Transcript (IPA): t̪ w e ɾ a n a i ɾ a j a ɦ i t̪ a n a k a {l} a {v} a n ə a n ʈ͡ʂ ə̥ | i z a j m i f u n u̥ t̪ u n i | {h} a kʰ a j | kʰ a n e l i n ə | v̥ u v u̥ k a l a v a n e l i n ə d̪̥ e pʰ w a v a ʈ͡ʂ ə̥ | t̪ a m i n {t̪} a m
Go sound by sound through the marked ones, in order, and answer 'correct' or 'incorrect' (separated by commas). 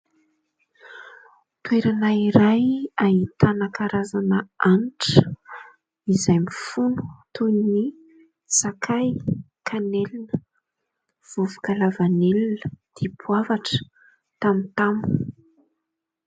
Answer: incorrect, incorrect, incorrect, correct